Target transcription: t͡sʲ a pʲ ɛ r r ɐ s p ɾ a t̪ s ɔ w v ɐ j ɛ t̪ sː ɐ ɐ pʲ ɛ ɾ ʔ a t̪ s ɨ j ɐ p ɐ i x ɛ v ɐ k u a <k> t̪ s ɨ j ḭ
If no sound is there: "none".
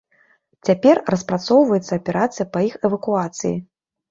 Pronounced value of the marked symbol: none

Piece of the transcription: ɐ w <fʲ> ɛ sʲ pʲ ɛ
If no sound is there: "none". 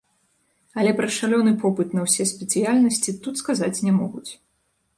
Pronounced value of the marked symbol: sʲ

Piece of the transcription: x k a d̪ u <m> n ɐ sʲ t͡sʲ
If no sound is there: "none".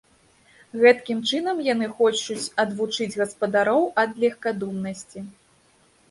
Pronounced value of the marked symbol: m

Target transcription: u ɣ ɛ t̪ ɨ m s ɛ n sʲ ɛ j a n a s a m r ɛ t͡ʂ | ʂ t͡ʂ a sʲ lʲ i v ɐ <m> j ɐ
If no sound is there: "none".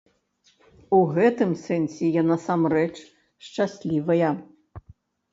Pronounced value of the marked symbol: none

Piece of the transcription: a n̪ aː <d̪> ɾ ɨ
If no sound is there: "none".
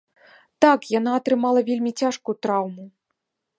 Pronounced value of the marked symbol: t̪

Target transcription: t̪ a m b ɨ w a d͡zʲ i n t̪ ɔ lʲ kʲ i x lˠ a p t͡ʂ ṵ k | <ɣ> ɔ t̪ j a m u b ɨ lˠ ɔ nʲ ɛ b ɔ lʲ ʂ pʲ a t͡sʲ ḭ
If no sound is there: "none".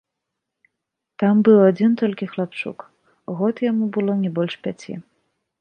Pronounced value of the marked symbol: ɣ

